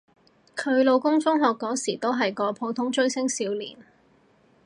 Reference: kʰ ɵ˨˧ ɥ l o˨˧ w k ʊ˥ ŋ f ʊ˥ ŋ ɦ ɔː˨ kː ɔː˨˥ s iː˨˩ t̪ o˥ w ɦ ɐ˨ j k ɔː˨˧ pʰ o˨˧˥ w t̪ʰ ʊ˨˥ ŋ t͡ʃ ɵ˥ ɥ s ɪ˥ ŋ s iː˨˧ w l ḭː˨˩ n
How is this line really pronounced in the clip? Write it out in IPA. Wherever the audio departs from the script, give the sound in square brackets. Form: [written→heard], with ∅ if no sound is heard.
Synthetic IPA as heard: kʰ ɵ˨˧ ɥ l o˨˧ w k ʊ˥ ŋ f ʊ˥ ŋ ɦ ɔː˨ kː ɔː˨˥ s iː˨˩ t̪ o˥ w ɦ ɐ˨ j k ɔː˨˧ pʰ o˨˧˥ w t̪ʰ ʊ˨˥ ŋ t͡ʃ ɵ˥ ɥ s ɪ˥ ŋ s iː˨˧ w l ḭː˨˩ n